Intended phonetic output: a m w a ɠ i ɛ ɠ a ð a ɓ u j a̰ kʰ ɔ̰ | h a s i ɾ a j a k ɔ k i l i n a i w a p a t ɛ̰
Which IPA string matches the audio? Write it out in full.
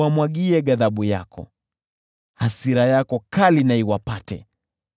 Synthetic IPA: a m w a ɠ i ɛ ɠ a ð a ɓ u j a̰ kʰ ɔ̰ | h a s i ɾ a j a k ɔ k a l i n a i w a p a t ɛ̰